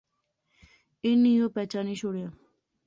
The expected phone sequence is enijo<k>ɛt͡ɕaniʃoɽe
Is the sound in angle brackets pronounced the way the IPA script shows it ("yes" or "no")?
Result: no